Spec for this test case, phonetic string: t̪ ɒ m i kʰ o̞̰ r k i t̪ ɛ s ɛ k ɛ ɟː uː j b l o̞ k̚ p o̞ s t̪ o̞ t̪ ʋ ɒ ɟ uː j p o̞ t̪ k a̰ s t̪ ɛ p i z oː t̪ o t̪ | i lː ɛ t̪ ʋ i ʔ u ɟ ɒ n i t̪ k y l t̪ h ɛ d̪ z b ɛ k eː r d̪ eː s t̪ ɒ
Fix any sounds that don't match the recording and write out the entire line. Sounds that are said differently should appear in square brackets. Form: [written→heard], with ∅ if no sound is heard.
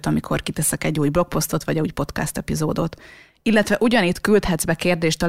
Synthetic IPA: t̪ ɒ m i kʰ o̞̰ r k i t̪ ɛ s ɛ k ɛ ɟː uː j b l o̞ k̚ p o̞ s t̪ o̞ t̪ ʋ ɒ ɟ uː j p o̞ t̪ k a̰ s t̪ ɛ p i z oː [t̪→d̪] o t̪ | i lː ɛ t̪ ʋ [i→ɛ] ʔ u ɟ ɒ n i t̪ k y l t̪ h ɛ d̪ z b ɛ k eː r d̪ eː [s→ʃ] t̪ ɒ